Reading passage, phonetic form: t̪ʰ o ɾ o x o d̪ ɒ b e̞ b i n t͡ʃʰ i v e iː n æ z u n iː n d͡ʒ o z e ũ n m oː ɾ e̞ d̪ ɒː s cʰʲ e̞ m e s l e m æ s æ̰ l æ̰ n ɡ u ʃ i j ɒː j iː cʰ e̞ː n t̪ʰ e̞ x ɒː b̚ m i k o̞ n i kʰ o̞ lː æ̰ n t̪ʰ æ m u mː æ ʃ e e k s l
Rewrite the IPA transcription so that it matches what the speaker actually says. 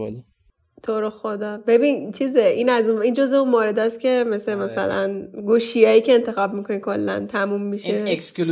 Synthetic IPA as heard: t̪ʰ o ɾ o x o d̪ ɒ b e̞ b i n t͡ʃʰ i z e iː n æ z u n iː n d͡ʒ o z e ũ n m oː ɾ e̞ d̪ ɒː s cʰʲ e̞ m e s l e m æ s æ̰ l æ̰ n ɡ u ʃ i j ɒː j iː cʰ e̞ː n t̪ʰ e̞ x ɒː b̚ m i k o̞ n i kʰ o̞ lː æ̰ n t̪ʰ æ m u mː i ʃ e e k s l